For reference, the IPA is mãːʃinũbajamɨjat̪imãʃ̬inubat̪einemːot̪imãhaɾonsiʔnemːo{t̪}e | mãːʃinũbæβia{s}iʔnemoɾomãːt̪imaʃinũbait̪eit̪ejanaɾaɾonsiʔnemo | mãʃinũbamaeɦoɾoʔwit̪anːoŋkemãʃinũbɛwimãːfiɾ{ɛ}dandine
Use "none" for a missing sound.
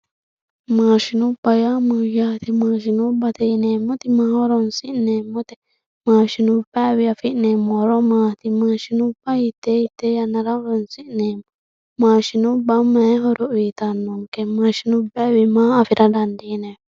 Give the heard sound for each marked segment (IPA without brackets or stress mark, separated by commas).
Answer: t̪, f, a